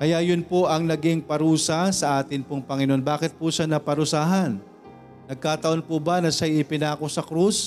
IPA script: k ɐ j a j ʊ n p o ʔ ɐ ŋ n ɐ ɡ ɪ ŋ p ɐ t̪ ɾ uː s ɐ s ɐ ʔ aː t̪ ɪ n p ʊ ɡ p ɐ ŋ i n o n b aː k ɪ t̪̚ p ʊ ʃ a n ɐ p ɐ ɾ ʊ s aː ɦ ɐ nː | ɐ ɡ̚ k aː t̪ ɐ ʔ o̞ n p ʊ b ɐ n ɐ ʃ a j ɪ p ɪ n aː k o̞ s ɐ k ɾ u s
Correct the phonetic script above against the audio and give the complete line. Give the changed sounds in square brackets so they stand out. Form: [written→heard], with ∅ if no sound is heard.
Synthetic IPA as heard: k ɐ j a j ʊ n p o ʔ ɐ ŋ n ɐ ɡ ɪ ŋ p ɐ [t̪→∅] ɾ uː s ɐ s ɐ ʔ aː t̪ ɪ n p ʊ [ɡ→ŋ] p ɐ ŋ [i→ɪ] n o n b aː k ɪ t̪̚ p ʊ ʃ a n ɐ p ɐ ɾ ʊ s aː ɦ ɐ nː | ɐ ɡ̚ k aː t̪ ɐ ʔ o̞ n p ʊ b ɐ n ɐ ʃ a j ɪ p ɪ n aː k o̞ s ɐ k ɾ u s